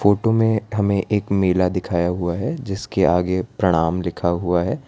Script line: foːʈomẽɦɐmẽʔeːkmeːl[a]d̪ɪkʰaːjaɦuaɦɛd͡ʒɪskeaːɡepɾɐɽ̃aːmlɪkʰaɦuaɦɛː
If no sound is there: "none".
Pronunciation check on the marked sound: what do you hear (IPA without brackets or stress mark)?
a